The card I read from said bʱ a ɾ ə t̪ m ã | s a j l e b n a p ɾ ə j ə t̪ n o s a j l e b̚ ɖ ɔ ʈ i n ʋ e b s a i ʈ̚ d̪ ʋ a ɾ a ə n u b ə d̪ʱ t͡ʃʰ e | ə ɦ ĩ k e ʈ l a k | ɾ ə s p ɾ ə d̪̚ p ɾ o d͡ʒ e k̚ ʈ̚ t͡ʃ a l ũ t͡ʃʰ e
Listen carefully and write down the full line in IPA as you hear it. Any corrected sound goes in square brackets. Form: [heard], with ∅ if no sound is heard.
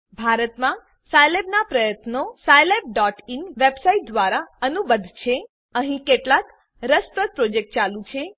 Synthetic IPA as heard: bʱ a ɾ ə t̪ m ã | s a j l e b n a p ɾ ə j ə t̪ n o s a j l e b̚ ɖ ɔ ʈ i n ʋ e b s a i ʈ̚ d̪ ʋ a ɾ a ə n u b ə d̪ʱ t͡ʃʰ e | ə ɦ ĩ k e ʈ l a k | ɾ ə s p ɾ ə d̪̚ p ɾ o d͡ʒ e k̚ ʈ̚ t͡ʃ a l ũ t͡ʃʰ e

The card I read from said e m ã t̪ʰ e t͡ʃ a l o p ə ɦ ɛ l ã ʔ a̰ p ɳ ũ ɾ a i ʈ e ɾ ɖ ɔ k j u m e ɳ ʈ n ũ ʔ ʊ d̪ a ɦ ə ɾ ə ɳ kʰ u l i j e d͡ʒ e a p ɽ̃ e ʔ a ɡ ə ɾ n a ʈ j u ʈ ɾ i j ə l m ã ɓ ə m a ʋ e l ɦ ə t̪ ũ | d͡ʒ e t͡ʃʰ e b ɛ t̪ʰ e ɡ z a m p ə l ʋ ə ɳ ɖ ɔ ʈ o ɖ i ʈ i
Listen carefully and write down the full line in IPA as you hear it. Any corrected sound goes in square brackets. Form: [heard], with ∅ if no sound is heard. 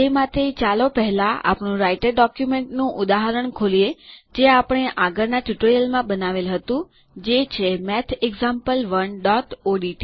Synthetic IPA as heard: e m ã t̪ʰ e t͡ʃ a l o p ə ɦ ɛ l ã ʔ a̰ p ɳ ũ ɾ a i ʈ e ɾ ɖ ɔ k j u m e ɳ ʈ n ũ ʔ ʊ d̪ a ɦ ə ɾ ə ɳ kʰ [o] l i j e d͡ʒ e a p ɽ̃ e ʔ a ɡ ə ɾ n a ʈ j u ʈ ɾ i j ə l m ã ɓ ə [n] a ʋ e l ɦ ə t̪ ũ | d͡ʒ e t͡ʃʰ e [m] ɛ t̪ʰ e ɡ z a m p ə l ʋ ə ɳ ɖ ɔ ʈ o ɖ i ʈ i

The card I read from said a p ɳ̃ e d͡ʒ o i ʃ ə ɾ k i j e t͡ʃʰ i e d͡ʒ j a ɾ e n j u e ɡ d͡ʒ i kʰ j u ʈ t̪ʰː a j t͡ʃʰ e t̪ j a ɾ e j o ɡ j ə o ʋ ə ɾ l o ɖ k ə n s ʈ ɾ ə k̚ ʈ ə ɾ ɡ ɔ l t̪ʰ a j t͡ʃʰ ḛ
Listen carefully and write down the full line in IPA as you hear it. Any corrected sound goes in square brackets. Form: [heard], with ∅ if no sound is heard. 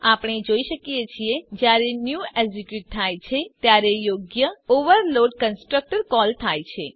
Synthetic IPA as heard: a p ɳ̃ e d͡ʒ o i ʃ ə [∅] k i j e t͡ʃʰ i e d͡ʒ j a ɾ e n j u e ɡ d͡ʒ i [k] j u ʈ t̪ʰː a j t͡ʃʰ e t̪ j a ɾ e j o ɡ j ə o ʋ ə ɾ l o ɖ k ə n s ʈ ɾ ə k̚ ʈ ə ɾ [k] ɔ l t̪ʰ a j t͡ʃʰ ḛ

